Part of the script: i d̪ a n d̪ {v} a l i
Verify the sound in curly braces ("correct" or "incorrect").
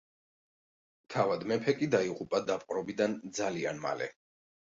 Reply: incorrect